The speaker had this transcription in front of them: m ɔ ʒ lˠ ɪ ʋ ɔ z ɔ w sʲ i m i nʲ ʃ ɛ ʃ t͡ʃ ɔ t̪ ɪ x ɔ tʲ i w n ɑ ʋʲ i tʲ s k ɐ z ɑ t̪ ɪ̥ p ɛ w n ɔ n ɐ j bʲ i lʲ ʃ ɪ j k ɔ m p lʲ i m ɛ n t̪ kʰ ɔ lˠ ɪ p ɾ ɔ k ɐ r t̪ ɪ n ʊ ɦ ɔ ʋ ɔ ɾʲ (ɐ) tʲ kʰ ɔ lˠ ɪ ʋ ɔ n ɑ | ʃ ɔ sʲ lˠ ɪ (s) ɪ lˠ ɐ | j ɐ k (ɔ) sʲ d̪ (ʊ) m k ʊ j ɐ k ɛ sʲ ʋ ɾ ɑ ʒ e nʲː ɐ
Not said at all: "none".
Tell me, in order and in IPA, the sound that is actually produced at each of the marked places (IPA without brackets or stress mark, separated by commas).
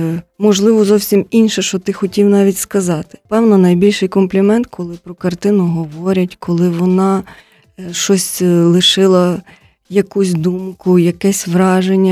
ɐ, ʃ, u, u